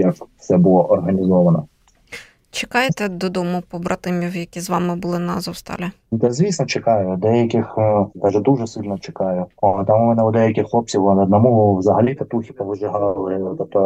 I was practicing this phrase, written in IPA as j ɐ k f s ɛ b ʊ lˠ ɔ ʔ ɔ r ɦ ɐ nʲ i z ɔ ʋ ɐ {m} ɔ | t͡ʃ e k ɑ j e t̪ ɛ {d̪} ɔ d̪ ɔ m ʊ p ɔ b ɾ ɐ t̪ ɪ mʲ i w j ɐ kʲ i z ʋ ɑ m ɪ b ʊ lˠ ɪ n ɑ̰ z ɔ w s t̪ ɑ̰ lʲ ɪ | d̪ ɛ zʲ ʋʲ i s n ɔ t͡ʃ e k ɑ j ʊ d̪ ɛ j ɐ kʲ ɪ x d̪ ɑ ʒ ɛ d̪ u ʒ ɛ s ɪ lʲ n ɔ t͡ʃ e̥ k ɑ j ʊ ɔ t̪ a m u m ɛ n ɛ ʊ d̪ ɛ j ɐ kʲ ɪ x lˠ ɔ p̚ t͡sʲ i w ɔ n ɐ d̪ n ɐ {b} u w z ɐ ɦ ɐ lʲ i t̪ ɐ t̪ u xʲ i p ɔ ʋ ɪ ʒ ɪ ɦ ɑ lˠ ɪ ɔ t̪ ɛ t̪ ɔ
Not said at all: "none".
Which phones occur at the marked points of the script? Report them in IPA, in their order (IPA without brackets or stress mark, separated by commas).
n, d̪, m